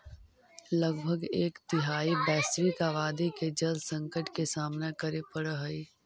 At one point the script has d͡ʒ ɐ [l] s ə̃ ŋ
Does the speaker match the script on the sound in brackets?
yes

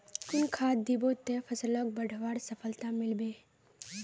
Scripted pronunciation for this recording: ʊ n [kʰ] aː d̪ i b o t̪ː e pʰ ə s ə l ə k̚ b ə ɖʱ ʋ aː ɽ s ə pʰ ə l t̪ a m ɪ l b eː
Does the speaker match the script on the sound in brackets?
yes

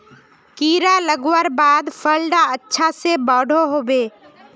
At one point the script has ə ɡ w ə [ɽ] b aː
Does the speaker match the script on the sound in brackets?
no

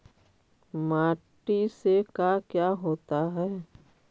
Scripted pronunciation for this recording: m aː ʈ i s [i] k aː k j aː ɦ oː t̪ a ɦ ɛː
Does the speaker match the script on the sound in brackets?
no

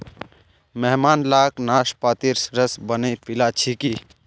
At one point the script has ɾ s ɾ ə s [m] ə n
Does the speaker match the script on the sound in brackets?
no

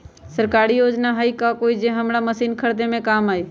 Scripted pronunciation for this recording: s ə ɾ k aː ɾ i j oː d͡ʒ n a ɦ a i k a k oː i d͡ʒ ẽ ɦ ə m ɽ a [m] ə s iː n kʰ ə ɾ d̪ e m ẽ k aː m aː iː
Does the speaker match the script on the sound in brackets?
yes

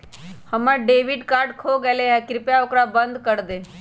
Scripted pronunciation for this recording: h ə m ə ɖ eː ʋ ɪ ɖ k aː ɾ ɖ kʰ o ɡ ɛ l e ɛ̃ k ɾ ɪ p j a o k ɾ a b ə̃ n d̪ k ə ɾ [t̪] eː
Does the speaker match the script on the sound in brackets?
no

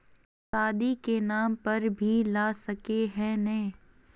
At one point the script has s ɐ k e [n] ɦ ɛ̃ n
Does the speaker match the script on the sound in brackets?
no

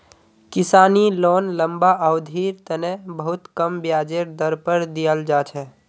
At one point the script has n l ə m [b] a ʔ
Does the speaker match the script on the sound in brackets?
yes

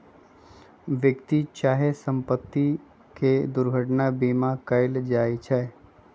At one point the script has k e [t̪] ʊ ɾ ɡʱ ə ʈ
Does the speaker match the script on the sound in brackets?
no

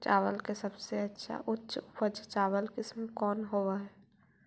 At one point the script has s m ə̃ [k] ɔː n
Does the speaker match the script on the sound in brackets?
yes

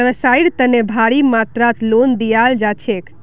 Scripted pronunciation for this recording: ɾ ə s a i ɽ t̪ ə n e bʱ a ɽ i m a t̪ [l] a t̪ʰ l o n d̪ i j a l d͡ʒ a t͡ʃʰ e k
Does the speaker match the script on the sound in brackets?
no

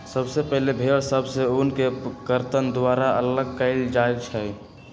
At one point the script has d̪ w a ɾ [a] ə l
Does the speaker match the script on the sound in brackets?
yes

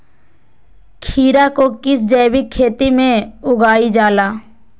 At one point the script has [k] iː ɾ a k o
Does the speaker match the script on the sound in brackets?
no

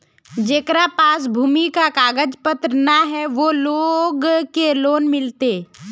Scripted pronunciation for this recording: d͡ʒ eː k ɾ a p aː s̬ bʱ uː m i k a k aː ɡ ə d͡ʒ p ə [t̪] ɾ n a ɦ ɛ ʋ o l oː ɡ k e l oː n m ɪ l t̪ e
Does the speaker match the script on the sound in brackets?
yes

